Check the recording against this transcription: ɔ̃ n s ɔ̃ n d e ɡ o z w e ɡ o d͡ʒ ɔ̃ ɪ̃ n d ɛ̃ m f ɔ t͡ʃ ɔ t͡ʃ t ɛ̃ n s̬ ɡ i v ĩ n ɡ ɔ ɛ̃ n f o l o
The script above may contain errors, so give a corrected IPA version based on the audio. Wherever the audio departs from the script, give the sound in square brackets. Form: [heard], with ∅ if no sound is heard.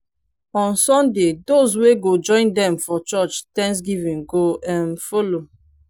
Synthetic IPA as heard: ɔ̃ n s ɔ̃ n d e [d] o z w e ɡ o d͡ʒ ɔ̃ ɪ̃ n d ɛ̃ m f ɔ t͡ʃ ɔ t͡ʃ t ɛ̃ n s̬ ɡ i v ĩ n ɡ [o] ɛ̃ n f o l o